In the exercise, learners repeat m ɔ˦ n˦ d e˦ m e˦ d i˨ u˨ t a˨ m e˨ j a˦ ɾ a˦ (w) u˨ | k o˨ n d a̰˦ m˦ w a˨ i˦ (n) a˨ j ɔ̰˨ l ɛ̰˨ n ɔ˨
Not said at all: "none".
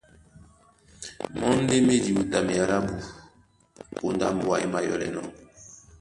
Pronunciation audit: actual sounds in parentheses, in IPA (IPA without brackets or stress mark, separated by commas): b, m